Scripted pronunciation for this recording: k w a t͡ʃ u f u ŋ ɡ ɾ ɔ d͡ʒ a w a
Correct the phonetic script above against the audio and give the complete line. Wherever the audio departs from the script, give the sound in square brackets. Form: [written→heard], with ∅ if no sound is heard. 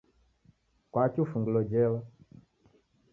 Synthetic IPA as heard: k w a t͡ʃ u f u ŋ ɡ [ɾ→l] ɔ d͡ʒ [a→ɛ] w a